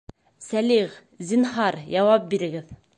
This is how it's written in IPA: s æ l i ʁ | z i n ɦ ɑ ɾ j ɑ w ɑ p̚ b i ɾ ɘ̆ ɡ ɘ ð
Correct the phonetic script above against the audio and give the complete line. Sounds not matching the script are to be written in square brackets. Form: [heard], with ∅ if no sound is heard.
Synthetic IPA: s æ l i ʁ | z i n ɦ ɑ ɾ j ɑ w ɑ p̚ b i ɾ ɘ̆ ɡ ɘ ð